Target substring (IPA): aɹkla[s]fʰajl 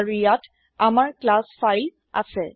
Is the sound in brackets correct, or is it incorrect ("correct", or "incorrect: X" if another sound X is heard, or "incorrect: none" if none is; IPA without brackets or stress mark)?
correct